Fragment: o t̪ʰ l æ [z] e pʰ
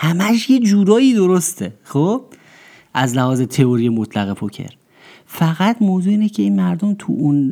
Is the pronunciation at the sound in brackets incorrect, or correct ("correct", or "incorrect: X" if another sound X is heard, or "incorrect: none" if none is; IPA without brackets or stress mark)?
incorrect: ɣ